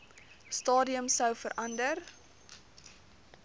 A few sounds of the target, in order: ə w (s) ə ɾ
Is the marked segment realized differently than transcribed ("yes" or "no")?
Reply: yes